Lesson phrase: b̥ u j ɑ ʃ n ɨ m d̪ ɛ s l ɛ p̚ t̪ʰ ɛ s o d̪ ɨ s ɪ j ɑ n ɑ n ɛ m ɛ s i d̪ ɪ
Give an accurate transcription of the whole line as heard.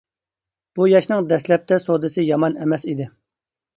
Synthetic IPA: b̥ u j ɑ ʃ n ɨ ŋ d̪ ɛ s l ɛ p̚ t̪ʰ ɛ s o d̪ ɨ s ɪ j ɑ m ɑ n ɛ m ɛ s i d̪ ɪ